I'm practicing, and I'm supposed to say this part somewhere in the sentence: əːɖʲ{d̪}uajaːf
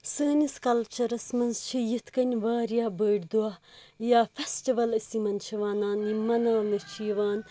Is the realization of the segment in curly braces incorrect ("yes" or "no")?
no